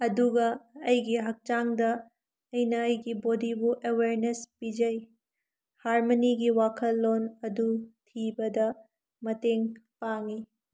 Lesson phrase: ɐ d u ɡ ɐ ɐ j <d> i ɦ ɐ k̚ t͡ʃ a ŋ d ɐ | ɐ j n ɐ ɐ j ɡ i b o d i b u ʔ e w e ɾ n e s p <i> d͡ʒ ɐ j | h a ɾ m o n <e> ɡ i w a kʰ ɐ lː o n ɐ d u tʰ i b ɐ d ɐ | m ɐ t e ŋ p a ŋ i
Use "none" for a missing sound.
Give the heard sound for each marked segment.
ɡ, i, i

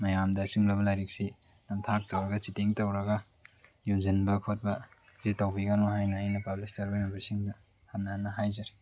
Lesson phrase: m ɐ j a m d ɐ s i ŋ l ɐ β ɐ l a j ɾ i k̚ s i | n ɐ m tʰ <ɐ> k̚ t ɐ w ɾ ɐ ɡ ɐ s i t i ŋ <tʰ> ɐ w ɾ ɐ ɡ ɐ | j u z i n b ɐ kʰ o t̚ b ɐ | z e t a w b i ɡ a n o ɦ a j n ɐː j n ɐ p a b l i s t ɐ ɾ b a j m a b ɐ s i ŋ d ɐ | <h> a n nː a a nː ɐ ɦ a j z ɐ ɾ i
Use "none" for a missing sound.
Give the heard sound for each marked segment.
a, t, h

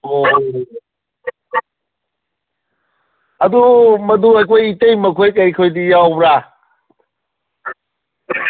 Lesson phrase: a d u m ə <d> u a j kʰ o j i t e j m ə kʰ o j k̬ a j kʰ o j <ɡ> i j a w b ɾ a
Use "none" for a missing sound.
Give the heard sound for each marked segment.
d, d

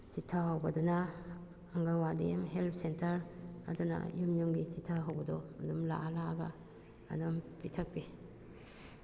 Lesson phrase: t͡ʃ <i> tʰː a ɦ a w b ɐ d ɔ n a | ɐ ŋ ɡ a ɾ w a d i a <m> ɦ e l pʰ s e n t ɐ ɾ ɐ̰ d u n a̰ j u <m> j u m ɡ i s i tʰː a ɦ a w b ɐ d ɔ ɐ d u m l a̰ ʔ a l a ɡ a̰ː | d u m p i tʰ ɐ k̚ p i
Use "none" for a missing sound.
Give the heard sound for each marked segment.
i, m, m

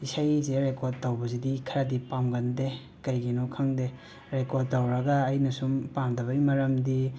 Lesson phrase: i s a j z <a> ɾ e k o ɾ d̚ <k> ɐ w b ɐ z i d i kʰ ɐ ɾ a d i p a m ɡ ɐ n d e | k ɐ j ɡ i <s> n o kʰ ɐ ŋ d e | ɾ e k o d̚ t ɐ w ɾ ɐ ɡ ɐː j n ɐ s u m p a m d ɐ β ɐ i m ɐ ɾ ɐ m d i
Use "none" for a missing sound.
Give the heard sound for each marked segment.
e, t, none

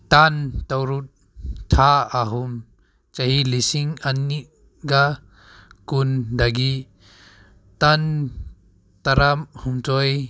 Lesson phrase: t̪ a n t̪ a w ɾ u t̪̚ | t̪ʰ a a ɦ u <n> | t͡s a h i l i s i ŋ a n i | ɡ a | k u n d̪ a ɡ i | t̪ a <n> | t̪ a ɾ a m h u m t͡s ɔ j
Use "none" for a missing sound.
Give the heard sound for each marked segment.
m, n

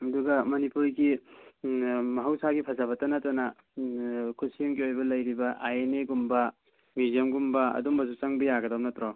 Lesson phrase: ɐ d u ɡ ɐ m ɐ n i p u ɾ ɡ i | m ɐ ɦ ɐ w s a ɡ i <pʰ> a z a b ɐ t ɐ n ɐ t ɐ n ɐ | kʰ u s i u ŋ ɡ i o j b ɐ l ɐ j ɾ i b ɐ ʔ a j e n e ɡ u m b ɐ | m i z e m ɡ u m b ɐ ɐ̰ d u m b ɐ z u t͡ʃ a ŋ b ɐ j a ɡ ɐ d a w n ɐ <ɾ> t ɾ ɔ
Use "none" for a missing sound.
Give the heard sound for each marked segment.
pʰ, none

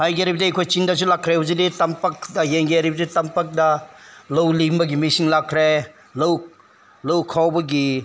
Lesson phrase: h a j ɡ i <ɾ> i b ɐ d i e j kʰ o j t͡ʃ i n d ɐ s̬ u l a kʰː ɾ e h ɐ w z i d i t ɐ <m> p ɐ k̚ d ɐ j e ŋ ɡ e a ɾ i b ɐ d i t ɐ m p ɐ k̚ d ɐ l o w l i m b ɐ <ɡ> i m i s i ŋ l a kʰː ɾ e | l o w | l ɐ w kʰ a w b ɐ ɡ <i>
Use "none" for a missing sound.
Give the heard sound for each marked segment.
ɾ, m, ɡ, i

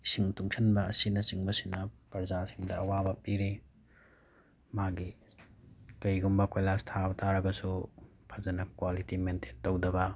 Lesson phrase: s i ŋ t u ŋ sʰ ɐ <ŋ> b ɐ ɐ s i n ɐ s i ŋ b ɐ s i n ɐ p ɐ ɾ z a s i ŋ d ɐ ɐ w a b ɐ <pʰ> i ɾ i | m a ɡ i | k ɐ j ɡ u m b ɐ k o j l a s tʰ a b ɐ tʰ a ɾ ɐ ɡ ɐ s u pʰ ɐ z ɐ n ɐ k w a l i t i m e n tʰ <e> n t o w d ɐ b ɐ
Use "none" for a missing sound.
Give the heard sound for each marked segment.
n, p, e

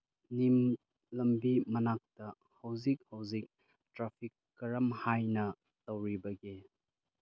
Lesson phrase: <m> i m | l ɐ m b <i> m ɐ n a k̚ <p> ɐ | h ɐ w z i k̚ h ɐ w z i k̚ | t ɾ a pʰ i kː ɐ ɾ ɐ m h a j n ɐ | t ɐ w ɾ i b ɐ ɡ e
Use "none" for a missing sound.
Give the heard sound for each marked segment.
n, i, t

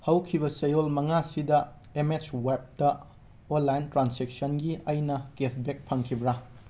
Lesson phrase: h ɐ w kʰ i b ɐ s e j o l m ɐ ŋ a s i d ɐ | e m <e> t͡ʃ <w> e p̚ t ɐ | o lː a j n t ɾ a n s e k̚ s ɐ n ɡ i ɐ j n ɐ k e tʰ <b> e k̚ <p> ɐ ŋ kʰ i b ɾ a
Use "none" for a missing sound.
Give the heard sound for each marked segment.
e, w, b, pʰ

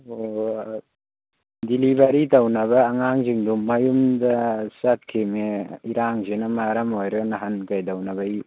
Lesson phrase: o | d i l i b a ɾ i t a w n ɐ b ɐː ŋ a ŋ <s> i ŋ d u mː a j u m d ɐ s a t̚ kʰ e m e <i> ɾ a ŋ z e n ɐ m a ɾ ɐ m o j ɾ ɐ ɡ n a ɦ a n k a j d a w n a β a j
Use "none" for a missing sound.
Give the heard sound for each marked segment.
z, i

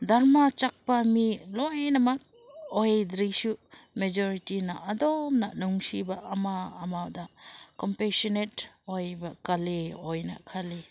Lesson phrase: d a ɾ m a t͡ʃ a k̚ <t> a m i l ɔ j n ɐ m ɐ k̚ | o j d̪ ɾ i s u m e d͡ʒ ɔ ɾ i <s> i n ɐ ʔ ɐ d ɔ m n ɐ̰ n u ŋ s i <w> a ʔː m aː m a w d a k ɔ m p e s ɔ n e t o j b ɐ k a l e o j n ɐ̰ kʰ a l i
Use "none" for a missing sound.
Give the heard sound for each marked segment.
p, t, b

